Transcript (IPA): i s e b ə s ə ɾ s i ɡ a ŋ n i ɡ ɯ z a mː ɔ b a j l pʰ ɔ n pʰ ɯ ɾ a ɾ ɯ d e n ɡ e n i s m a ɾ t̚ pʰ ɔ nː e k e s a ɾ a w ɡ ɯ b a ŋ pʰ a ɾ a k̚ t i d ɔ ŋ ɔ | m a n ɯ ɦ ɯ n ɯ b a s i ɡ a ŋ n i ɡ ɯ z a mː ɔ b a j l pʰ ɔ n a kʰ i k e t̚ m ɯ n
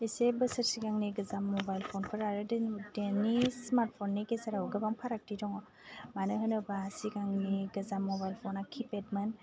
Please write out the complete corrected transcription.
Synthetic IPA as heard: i s e b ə s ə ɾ s i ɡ a ŋ n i ɡ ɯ z a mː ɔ b a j l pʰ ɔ n pʰ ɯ ɾ a ɾ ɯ d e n d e n i s m a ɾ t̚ pʰ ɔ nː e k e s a ɾ a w ɡ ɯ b a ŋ pʰ a ɾ a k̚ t i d ɔ ŋ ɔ | m a n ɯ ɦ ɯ n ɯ b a s i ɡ a ŋ n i ɡ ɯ z a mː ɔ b a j l pʰ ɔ n a kʰ i p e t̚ m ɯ n

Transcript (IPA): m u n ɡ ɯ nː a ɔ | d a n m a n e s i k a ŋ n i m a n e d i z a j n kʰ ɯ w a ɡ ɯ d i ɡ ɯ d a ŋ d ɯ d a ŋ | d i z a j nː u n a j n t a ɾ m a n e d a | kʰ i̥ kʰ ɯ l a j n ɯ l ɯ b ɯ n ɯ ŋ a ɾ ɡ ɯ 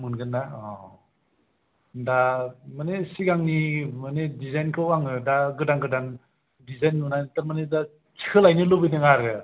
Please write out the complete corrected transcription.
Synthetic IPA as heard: m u n ɡ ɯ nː a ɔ | d a m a n e s i ɡ a ŋ n i m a n e d i z a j n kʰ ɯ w a ŋ ɯ d a ɡ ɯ d a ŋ ɡ ɯ d a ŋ | d i z a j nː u n a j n t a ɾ m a n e d a | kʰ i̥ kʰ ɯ l a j n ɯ l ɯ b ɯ n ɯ ŋ a ɾ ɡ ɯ

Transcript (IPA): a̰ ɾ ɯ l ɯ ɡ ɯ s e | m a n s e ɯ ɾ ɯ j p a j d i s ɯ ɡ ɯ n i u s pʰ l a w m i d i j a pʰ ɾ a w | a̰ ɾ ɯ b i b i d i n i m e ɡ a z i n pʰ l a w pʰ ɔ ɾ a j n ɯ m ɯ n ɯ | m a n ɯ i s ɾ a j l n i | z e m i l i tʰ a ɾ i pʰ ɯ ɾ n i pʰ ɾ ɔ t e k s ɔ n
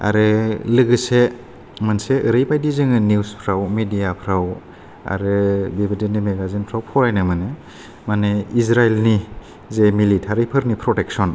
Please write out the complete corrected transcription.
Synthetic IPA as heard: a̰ ɾ ɯ l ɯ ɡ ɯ s e | m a n s e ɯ ɾ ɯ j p a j d i z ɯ ŋ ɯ n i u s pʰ ɾ a w m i d i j a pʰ ɾ a w | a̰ ɾ ɯ b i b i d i n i m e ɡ a z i n pʰ ɾ a w pʰ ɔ ɾ a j n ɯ m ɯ n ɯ | m a n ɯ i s ɾ a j l n i | z e m i l i tʰ a ɾ i pʰ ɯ ɾ n i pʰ ɾ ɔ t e k s ɔ n

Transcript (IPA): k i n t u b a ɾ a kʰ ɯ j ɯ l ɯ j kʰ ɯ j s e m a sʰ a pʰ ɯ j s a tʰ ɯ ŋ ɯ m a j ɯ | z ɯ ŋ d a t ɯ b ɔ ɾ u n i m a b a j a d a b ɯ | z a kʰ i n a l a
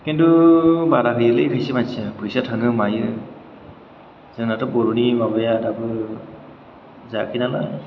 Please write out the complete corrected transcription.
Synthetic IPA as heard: k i n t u b a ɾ a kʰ ɯ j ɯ l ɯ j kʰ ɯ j s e m a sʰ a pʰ ɯ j s a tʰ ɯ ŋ ɯ m a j ɯ | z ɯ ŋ n a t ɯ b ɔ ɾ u n i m a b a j a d a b ɯ | z a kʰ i n a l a

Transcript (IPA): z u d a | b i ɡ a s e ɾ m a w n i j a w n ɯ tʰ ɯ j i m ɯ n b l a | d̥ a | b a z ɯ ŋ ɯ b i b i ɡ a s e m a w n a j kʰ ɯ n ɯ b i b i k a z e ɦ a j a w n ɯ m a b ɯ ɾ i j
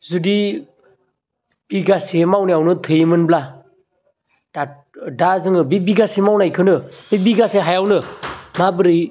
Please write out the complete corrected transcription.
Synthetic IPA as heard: z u d i | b i ɡ a s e m a w n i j a w n ɯ tʰ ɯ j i m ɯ n b l a | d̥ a | d a z ɯ ŋ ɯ b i b i ɡ a s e m a w n a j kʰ ɯ n ɯ b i b i ɡ a s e ɦ a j a w n ɯ m a b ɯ ɾ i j

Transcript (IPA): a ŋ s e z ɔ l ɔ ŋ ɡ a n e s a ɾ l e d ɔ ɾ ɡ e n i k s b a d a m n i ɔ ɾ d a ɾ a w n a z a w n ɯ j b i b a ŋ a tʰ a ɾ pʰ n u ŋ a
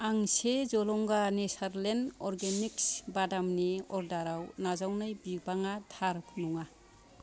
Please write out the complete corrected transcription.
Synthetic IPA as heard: a ŋ s e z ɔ l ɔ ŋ ɡ a n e s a ɾ l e n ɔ ɾ ɡ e n i k s b a d a m n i ɔ ɾ d a ɾ a w n a z a w n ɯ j b i b a ŋ a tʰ a ɾ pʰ n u ŋ a

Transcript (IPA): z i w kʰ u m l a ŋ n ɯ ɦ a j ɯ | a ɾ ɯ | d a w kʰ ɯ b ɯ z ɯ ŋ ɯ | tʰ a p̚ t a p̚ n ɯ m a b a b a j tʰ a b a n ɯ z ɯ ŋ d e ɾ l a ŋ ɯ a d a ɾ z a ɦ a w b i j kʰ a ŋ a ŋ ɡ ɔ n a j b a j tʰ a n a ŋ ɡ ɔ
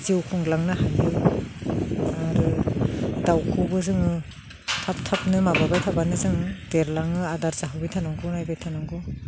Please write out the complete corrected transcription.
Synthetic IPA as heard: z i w kʰ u ŋ l a ŋ n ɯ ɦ a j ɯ | a ɾ ɯ | d a w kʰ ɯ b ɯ z ɯ ŋ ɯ | tʰ a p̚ tʰ a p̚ n ɯ m a b a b a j tʰ a b a n ɯ z ɯ ŋ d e ɾ l a ŋ ɯ a d a ɾ z a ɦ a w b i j tʰ a n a ŋ ɡ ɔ n a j b a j tʰ a n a ŋ ɡ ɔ

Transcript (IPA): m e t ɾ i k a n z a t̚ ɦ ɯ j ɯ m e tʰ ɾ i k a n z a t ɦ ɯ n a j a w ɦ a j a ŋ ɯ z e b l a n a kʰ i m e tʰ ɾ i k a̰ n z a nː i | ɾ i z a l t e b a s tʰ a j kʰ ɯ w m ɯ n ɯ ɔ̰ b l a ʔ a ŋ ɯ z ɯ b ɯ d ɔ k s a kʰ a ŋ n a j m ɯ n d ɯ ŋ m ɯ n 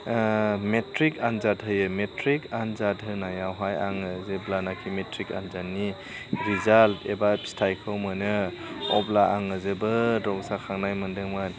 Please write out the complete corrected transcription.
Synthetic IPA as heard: m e t ɾ i k a n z a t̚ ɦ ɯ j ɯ m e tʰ ɾ i k a n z a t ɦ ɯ n a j a w ɦ a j a ŋ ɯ z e b l a n a kʰ i m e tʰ ɾ i k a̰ n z a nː i | ɾ i z a l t e b a s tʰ a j kʰ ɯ w m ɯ n ɯ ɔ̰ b l a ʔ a ŋ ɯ z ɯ b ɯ d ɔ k s a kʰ a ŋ n a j m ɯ n d ɯ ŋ m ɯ n

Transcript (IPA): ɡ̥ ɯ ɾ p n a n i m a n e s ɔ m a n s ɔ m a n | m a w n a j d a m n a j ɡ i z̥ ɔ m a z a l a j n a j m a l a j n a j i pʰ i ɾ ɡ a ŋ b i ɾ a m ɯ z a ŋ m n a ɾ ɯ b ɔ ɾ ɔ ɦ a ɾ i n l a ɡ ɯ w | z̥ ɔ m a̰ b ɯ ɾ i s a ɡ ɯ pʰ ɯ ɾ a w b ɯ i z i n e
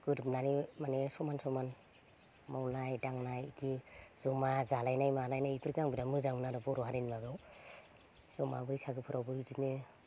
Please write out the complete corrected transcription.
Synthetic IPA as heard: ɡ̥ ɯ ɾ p n a n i m a n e s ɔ m a n s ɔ m a n | m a w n a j d a ŋ n a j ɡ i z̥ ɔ m a z a l a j n a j m a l a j n a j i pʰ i ɾ ɡ a ŋ b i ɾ a m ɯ z a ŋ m n a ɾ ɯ b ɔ ɾ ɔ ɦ a ɾ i n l a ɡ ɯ w | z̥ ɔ m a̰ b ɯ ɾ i s a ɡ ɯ pʰ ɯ ɾ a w b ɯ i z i n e

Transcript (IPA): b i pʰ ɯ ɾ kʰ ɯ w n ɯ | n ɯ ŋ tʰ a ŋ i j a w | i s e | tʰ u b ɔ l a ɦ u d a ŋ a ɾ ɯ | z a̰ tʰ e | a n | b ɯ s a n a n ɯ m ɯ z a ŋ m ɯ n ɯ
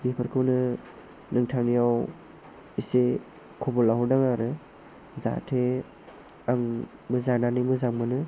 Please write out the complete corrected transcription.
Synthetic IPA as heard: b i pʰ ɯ ɾ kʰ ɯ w n ɯ | n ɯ ŋ tʰ a ŋ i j a w | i s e | kʰ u b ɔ l a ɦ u d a ŋ a ɾ ɯ | z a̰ tʰ e | a ŋ | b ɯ z a n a n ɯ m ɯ z a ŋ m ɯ n ɯ

